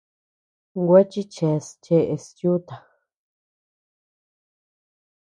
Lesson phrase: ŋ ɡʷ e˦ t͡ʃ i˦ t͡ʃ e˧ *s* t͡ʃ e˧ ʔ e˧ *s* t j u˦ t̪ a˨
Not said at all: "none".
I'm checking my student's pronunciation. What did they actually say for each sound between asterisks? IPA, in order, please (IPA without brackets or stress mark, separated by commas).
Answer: s, s